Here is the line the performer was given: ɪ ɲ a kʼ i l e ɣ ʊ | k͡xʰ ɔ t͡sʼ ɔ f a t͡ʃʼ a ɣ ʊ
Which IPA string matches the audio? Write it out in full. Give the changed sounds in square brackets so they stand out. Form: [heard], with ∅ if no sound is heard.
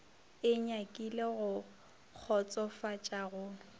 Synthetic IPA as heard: ɪ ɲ a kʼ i l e ɣ ʊ | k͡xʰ ɔ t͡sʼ ɔ f a t͡ʃʼ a ɣ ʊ